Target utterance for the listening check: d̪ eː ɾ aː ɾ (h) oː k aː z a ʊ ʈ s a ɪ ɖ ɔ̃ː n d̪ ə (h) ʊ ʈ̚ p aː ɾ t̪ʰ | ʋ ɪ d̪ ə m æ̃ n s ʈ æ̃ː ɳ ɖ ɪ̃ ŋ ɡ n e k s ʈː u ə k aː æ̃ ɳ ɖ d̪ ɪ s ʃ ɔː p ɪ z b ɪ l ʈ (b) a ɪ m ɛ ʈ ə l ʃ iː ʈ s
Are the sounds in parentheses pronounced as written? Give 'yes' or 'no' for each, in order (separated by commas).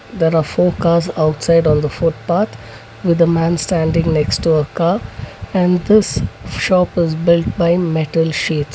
no, no, yes